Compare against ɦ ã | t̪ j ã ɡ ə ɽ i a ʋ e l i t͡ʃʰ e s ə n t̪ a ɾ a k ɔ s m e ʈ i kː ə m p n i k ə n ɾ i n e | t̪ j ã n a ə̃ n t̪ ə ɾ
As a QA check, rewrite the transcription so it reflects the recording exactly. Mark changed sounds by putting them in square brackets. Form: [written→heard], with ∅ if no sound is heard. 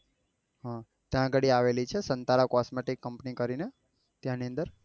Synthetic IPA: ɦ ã | t̪ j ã ɡ ə ɽ i a ʋ e l i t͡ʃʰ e s ə n t̪ a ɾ a k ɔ s m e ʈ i kː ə m p n i k ə [n→∅] ɾ i n e | t̪ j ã n [a→i] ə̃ n [t̪→d̪] ə ɾ

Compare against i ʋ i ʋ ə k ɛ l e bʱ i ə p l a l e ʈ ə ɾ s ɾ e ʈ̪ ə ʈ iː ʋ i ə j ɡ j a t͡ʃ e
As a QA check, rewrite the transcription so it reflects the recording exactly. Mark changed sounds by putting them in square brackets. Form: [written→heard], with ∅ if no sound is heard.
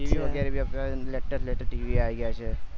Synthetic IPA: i ʋ i ʋ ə [k→ɡ] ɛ [l→ɾ] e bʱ i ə p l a l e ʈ ə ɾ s [ɾ→l] e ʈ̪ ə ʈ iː ʋ i [ə→a] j ɡ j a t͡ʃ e

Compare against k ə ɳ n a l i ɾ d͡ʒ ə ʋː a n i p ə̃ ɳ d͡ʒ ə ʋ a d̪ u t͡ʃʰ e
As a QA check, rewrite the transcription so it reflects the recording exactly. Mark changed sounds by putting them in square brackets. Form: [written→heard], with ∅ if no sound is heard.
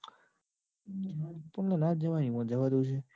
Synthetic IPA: [k→p] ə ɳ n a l [i→a] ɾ d͡ʒ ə [ʋː→ʋ] a n i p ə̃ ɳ d͡ʒ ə ʋ a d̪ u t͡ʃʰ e

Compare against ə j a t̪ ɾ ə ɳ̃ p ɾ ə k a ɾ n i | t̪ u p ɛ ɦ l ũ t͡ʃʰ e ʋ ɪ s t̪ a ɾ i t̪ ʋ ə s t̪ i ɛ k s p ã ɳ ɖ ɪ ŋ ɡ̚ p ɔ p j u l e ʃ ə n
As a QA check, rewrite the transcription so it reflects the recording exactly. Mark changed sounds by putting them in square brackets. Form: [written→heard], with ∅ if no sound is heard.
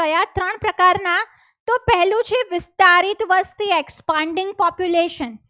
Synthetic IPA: ə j a t̪ ɾ ə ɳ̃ p ɾ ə k a ɾ n [i→a] | t̪ [u→o] p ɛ ɦ l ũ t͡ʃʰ e ʋ ɪ s t̪ a ɾ i t̪ ʋ ə s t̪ i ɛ k s p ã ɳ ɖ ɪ ŋ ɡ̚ p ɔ p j u l e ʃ ə n

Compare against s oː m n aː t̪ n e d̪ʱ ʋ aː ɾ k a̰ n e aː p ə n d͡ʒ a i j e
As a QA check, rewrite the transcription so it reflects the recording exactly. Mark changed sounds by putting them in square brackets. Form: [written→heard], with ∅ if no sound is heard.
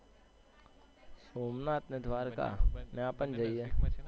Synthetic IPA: s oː m n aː t̪ n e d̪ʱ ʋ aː ɾ k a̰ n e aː p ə n d͡ʒ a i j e

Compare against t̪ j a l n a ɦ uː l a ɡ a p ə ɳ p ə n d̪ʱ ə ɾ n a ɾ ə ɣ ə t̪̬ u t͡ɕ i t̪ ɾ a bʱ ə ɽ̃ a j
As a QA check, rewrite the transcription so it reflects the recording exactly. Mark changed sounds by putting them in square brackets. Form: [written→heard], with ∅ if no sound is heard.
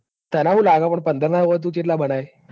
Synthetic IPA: t̪ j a [l→∅] n a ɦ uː l a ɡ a p ə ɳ p ə n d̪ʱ ə ɾ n a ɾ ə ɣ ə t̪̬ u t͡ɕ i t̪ [ɾ→l] a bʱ ə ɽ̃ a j

